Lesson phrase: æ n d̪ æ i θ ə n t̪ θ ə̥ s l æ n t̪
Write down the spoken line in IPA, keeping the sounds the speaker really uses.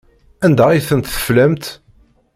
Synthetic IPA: æ n d̪ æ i θ ə n t̪ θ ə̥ f l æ m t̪